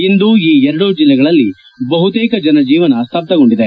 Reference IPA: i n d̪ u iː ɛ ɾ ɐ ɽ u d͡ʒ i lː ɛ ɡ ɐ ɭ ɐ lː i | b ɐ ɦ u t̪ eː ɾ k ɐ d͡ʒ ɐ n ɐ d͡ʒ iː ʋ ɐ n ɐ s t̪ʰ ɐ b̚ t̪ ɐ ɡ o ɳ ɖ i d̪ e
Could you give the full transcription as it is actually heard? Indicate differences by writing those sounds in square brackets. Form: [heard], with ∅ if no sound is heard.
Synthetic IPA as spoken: i n d̪ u iː ɛ ɾ ɐ ɽ u d͡ʒ i lː ɛ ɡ ɐ ɭ ɐ lː i | b ɐ ɦ u t̪ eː [∅] k ɐ d͡ʒ ɐ n ɐ d͡ʒ iː ʋ ɐ n ɐ s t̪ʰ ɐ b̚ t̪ ɐ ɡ o ɳ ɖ i d̪ e